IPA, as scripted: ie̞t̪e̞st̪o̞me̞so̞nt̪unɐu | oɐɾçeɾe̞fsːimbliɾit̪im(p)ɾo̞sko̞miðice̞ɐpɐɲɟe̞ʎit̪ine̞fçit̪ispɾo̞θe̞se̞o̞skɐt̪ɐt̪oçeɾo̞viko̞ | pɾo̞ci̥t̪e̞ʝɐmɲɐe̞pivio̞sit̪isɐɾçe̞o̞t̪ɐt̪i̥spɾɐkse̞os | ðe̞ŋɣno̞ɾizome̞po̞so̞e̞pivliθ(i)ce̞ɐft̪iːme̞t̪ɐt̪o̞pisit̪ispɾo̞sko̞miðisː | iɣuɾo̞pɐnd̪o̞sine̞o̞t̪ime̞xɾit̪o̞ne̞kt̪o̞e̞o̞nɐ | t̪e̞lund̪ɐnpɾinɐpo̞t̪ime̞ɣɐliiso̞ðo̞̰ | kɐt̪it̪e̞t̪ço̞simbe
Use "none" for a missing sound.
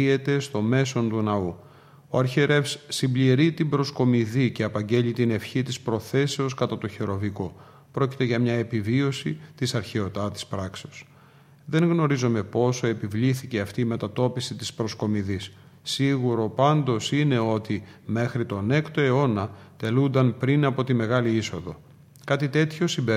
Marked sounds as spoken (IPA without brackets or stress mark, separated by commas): b, i